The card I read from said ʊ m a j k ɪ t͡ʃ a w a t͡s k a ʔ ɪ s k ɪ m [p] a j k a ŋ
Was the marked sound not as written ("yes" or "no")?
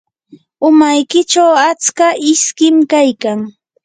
yes